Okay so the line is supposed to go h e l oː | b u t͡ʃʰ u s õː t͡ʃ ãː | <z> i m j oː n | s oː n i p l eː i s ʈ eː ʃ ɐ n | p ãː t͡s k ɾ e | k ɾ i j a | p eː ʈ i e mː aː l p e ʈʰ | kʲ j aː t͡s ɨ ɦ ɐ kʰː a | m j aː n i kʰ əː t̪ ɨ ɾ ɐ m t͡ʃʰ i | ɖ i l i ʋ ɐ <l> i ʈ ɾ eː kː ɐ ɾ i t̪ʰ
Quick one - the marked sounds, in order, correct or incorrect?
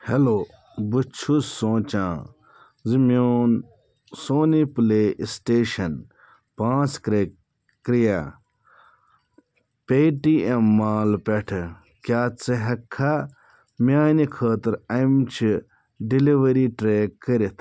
correct, incorrect

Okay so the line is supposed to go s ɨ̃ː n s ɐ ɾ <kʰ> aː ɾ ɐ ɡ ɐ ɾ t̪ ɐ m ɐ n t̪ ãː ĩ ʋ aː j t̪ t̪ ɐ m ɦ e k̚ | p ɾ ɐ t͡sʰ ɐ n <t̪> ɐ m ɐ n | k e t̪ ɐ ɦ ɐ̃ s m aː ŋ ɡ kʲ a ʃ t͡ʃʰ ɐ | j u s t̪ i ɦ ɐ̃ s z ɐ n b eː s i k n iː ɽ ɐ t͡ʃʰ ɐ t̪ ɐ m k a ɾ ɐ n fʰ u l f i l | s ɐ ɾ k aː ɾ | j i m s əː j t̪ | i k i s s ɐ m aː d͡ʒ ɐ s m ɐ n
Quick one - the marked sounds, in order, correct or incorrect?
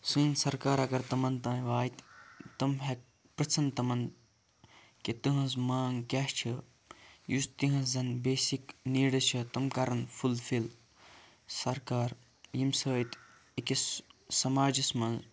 incorrect, correct

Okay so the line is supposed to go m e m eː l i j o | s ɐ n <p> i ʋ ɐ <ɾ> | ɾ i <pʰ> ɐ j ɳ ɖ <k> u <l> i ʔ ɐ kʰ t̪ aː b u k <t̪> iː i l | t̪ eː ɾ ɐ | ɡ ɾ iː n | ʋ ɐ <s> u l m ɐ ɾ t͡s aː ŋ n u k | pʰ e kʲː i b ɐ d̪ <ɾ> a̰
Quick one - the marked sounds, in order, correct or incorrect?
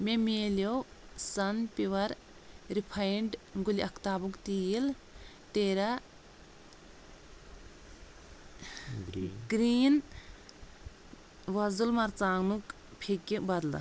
correct, correct, correct, incorrect, correct, correct, incorrect, incorrect

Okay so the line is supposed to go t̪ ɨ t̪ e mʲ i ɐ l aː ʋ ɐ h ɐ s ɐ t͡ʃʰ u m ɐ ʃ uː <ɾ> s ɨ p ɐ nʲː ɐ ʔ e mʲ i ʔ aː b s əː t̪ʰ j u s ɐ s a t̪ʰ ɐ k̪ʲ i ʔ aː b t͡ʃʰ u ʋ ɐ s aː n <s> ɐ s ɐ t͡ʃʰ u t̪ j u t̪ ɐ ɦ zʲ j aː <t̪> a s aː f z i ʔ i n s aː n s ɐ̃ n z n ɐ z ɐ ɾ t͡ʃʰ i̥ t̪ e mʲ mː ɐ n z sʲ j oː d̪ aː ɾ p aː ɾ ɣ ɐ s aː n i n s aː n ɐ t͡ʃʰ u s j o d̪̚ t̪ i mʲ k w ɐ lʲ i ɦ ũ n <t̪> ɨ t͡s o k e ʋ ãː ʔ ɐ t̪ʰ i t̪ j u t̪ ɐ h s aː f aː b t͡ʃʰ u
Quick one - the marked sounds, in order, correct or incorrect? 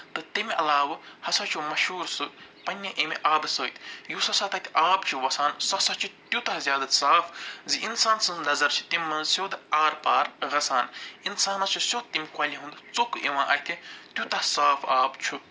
correct, correct, incorrect, incorrect

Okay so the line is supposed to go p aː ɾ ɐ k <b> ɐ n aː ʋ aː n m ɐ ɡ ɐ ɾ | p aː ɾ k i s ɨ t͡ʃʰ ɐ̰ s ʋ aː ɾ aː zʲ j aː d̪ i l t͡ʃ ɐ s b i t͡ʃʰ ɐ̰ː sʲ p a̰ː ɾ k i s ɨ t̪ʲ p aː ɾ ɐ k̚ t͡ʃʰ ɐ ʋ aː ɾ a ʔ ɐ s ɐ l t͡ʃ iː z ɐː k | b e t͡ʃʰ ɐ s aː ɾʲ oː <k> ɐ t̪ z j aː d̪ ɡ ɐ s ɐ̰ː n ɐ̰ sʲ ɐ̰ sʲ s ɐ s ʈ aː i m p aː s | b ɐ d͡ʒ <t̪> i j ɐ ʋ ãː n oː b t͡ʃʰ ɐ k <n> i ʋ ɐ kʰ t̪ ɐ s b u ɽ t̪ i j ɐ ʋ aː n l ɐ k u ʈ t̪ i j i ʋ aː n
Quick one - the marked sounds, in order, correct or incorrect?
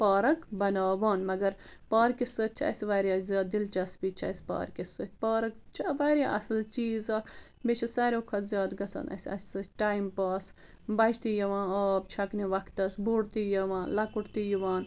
correct, incorrect, correct, correct

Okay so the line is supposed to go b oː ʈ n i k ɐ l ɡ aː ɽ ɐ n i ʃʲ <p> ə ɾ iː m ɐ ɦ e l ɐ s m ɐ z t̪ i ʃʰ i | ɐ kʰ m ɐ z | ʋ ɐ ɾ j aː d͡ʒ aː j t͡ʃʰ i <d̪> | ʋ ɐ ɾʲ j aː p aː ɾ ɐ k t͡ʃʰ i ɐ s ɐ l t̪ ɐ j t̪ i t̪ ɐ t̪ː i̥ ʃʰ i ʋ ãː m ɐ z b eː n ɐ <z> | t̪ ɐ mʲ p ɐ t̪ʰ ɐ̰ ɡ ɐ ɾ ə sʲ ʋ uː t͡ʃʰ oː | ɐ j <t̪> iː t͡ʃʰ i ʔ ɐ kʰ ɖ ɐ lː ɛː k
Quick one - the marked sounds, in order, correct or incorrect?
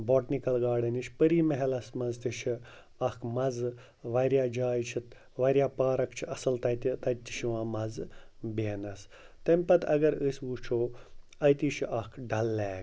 correct, incorrect, incorrect, correct

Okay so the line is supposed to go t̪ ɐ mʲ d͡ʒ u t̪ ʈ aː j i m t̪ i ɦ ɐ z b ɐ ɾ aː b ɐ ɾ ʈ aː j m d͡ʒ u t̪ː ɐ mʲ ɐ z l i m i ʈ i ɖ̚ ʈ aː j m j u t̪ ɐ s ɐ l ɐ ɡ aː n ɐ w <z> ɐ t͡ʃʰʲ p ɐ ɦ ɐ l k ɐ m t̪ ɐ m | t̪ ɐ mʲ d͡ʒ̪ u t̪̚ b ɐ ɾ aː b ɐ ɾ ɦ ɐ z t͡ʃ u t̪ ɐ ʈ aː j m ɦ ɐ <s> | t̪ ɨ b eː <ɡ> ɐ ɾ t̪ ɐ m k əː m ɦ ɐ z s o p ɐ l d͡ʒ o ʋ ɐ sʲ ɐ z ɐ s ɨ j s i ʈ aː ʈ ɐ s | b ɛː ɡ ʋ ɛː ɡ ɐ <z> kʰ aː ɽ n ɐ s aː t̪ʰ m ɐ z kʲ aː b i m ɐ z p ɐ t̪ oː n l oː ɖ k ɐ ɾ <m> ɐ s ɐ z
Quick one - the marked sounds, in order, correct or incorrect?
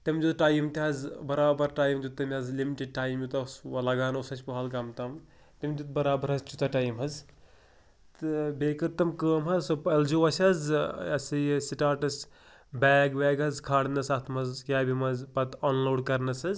incorrect, incorrect, incorrect, correct, incorrect

